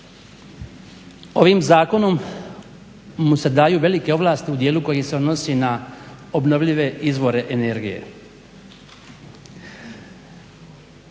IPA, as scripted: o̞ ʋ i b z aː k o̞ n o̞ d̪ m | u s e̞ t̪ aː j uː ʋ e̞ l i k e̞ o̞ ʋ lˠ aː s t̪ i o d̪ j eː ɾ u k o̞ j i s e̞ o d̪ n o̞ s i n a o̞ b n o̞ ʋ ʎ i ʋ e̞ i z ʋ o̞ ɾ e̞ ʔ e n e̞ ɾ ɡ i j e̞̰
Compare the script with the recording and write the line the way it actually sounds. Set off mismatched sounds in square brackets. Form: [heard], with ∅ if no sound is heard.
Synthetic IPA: o̞ ʋ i [m] z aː k o̞ n o̞ [∅] m | u s e̞ [d̪] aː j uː ʋ e̞ l i k e̞ o̞ ʋ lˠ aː s t̪ i [u] d̪ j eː [l] u k o̞ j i s e̞ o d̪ n o̞ s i n a o̞ b n o̞ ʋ ʎ i ʋ e̞ i z ʋ o̞ ɾ e̞ ʔ e n e̞ ɾ ɡ i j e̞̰